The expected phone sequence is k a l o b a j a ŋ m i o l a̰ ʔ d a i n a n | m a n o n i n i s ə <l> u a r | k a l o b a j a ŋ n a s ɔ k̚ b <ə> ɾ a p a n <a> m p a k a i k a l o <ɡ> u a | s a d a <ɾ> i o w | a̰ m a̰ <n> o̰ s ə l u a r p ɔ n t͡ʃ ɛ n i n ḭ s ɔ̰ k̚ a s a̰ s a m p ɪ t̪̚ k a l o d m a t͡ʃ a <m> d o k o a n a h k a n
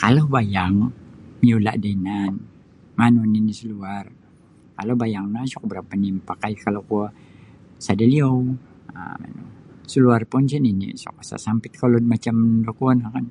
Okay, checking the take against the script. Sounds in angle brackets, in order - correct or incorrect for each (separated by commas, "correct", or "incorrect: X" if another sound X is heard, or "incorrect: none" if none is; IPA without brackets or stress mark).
correct, correct, incorrect: i, incorrect: k, incorrect: l, correct, correct